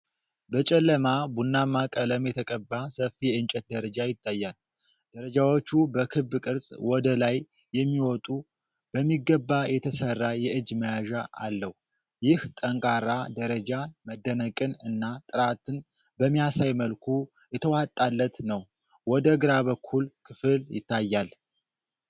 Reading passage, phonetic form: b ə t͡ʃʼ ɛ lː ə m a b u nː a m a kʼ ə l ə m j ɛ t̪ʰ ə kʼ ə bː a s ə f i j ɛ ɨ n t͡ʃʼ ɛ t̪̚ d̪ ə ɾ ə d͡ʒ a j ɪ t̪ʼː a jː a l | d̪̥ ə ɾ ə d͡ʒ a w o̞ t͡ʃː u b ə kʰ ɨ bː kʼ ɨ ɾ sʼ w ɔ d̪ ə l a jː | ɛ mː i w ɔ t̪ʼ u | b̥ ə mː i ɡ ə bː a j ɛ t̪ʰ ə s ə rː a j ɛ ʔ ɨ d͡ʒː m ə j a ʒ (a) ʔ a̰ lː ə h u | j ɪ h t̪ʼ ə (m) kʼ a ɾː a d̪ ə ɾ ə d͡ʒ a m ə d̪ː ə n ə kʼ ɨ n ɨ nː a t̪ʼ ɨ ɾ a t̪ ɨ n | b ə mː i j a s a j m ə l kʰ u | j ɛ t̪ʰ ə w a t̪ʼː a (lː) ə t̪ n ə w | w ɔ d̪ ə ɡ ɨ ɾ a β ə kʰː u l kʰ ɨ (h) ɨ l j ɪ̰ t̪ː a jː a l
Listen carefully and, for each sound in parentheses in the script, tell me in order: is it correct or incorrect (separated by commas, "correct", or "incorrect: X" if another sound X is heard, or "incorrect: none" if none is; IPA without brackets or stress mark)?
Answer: correct, incorrect: ŋ, correct, incorrect: f